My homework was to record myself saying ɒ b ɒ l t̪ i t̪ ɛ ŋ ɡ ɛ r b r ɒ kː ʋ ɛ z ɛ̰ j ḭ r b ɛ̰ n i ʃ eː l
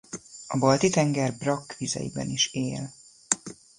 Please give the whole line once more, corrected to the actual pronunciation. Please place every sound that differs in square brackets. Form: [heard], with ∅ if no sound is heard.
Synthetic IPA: ɒ b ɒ l t̪ i t̪ ɛ ŋ ɡ ɛ r b r ɒ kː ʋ [i] z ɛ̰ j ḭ [∅] b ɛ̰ n i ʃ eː l